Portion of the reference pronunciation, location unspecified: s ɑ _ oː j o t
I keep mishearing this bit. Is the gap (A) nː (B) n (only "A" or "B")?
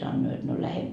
A